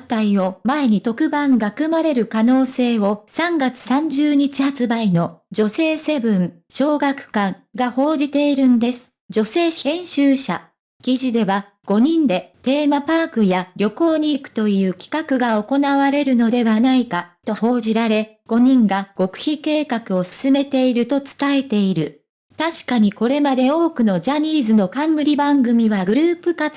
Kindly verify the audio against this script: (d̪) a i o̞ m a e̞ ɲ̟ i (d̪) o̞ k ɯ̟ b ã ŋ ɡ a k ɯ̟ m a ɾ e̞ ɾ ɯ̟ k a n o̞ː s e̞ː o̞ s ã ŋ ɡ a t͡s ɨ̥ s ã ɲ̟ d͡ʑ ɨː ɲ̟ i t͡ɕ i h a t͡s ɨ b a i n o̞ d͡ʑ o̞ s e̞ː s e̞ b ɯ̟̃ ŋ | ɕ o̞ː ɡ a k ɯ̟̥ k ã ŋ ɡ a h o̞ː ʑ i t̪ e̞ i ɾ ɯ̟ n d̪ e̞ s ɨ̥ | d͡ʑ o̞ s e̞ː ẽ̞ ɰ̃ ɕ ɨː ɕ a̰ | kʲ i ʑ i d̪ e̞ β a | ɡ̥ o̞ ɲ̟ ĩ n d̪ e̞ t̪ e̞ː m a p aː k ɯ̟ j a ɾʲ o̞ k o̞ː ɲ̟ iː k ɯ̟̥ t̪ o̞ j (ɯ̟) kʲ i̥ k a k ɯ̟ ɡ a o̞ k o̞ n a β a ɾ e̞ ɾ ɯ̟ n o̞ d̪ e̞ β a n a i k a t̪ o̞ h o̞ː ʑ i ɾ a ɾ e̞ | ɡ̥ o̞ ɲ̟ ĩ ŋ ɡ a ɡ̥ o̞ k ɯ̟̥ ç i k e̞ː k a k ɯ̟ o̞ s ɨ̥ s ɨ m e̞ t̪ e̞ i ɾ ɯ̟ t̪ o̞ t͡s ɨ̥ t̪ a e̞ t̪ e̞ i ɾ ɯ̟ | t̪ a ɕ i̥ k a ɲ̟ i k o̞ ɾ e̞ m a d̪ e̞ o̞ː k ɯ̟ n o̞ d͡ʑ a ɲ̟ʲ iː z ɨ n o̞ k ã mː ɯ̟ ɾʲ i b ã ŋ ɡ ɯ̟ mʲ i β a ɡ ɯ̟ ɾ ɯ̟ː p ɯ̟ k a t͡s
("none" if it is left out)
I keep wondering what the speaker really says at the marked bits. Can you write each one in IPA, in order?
t̪, t̪, ɯ̟ː

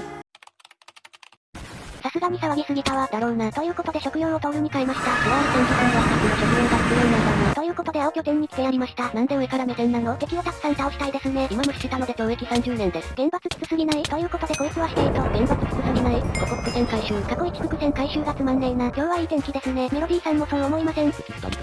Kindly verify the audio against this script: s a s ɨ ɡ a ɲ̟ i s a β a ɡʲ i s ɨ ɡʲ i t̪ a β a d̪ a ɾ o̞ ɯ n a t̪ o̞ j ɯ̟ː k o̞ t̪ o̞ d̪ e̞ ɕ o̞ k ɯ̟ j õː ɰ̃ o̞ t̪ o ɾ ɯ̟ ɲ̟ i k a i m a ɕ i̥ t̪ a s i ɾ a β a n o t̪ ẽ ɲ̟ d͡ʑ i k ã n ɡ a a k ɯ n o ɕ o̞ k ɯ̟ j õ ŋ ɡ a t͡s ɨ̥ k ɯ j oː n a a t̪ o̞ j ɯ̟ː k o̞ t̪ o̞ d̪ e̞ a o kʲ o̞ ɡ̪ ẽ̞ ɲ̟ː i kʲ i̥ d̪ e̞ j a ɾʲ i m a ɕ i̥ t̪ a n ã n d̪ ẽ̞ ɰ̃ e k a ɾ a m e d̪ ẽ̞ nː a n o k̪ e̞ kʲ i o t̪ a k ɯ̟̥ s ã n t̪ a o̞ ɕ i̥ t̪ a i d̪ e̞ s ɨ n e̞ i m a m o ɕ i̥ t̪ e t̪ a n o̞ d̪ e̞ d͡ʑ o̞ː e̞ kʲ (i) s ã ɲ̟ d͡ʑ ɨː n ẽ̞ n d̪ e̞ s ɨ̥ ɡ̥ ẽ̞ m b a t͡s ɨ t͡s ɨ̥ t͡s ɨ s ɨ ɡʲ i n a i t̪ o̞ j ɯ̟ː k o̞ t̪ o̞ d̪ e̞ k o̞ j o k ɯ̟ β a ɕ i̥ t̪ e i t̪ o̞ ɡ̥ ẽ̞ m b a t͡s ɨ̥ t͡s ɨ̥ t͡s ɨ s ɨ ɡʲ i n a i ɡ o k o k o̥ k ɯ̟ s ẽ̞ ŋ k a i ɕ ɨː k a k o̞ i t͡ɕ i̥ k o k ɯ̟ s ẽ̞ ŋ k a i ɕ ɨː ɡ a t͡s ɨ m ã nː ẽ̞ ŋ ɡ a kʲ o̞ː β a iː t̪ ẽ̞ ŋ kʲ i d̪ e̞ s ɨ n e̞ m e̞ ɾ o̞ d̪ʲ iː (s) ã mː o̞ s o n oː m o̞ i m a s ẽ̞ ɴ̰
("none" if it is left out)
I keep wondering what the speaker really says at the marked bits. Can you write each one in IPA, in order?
i, s

